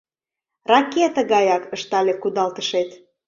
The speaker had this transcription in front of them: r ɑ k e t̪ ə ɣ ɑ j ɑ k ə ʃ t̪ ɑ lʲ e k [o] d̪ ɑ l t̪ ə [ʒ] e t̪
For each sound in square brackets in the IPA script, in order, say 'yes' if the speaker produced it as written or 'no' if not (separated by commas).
no, no